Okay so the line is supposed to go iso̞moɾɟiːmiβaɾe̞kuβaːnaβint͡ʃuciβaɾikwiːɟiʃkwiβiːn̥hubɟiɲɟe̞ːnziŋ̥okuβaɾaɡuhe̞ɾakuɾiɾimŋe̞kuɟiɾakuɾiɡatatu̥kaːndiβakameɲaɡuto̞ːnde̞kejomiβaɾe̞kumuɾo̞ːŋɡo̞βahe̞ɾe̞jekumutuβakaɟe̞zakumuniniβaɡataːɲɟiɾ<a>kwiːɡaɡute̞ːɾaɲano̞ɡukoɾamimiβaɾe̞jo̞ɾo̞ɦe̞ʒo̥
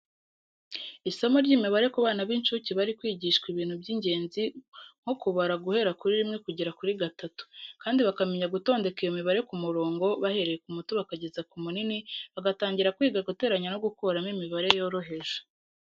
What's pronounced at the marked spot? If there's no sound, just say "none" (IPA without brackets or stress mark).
a